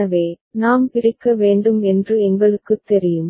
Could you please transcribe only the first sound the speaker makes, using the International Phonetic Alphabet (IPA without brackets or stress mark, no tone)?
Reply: ɐ